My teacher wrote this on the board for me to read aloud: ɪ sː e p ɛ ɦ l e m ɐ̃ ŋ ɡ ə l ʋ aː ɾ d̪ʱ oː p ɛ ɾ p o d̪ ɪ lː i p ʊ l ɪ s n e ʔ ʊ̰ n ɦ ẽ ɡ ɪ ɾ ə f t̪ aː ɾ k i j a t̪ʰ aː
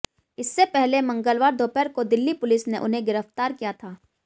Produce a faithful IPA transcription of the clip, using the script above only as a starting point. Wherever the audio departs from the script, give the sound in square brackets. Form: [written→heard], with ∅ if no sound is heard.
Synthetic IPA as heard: ɪ sː e p ɛ ɦ l e m ɐ̃ ŋ ɡ ə l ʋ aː ɾ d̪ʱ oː p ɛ ɾ [p→k] o d̪ ɪ lː i p ʊ l ɪ s n e ʔ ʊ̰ n ɦ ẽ ɡ ɪ ɾ ə f t̪ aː ɾ k i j a t̪ʰ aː